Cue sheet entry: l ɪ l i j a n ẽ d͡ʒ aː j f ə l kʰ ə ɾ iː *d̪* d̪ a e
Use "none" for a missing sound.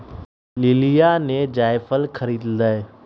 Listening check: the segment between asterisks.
d̪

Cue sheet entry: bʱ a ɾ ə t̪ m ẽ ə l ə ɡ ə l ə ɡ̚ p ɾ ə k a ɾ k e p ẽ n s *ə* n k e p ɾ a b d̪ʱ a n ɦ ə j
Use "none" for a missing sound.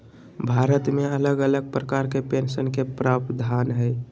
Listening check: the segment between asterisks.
ə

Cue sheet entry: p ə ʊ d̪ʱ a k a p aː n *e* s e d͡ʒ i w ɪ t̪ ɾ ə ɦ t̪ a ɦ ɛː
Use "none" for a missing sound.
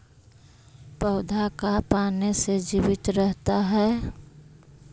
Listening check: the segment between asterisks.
e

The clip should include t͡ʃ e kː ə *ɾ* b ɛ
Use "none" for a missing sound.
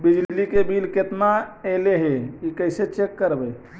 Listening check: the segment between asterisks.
ɾ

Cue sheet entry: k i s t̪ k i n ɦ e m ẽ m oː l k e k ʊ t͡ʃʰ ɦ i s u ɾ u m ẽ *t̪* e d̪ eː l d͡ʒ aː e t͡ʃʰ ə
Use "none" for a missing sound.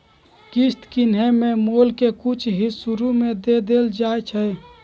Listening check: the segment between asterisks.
d̪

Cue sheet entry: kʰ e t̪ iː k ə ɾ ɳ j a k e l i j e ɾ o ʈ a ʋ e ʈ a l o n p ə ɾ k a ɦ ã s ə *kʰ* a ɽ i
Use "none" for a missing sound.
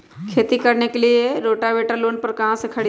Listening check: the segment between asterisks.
kʰ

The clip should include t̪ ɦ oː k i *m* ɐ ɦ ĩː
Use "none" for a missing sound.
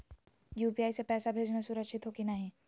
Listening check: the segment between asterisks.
n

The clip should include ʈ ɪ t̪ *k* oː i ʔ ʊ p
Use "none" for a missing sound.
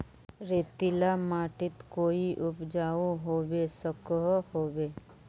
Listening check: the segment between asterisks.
k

